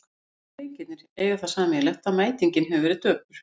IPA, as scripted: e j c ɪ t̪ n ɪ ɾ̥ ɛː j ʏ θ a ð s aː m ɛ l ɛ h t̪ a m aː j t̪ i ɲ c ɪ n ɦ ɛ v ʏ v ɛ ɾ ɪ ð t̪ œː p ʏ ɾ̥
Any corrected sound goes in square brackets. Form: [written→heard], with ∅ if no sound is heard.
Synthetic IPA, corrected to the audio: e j c ɪ t̪ n ɪ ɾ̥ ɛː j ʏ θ a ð s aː m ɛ l ɛ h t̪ a m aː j t̪ i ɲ c ɪ n ɦ ɛ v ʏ v ɛ ɾ ɪ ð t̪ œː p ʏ ɾ̥